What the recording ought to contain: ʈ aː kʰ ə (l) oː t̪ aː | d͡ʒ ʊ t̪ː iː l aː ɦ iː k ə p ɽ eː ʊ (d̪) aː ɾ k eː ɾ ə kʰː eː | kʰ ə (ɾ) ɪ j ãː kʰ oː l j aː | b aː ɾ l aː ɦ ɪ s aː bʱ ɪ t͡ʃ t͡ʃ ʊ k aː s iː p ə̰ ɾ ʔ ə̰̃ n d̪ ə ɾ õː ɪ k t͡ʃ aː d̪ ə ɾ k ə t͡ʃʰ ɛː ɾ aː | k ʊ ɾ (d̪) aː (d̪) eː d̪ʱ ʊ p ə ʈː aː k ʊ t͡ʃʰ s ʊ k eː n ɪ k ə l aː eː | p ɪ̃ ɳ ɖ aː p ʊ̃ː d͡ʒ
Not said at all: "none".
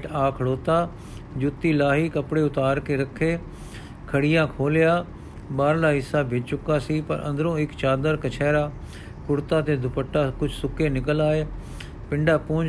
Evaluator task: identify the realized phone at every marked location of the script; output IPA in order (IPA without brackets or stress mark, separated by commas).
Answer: ɽ, t̪, ɽ, t̪, t̪